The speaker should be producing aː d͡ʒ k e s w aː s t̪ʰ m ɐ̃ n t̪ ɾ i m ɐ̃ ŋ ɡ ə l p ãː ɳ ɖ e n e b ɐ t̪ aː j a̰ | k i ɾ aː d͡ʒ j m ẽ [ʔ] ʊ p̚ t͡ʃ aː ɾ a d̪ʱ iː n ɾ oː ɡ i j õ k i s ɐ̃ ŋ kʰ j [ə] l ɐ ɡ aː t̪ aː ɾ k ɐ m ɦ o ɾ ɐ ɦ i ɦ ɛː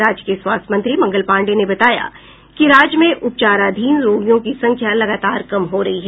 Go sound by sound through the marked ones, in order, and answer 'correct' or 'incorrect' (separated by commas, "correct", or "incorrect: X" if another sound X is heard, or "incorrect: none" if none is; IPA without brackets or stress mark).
correct, incorrect: a